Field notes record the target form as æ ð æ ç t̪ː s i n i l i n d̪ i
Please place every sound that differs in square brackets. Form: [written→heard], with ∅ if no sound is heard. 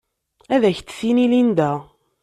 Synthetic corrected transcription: æ ð æ ç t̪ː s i n i l i n d̪ [i→æ]